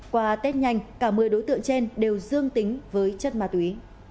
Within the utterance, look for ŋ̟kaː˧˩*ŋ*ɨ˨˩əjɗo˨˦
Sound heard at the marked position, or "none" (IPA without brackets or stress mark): m